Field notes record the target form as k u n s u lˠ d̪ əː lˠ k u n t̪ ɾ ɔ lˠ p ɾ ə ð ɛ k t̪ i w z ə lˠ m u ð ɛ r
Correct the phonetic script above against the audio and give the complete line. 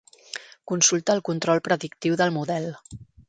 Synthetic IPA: k u n s u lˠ t̪ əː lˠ k u n t̪ ɾ ɔ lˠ p ɾ ə ð i k t̪ i w ð ə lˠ m u ð ɛ l